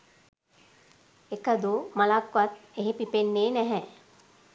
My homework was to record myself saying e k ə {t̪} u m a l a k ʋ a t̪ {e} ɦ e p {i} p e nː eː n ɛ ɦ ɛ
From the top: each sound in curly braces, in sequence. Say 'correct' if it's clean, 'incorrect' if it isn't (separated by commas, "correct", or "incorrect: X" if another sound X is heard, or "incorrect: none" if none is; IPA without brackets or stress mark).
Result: incorrect: d̪, correct, correct